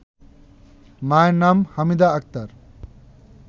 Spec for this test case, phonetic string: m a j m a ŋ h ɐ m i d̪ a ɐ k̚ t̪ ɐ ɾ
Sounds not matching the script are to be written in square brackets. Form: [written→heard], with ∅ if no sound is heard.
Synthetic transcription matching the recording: m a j [m→n] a [ŋ→m] h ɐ m i d̪ a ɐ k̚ t̪ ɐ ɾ